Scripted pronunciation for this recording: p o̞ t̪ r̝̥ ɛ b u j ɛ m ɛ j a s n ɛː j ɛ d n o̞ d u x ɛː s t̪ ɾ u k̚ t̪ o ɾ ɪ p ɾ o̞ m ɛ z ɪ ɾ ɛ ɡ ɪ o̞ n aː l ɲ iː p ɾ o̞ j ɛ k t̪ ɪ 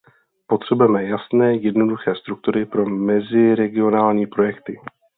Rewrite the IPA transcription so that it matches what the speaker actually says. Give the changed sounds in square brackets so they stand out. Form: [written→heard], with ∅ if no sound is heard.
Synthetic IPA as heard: p o̞ t̪ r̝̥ ɛ b u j ɛ m ɛ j a s n ɛː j ɛ d n o̞ d u x ɛː s t̪ ɾ u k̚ t̪ [o→u] ɾ ɪ p ɾ o̞ m ɛ z ɪ ɾ ɛ ɡ ɪ o̞ n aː l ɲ iː p ɾ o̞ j ɛ k t̪ ɪ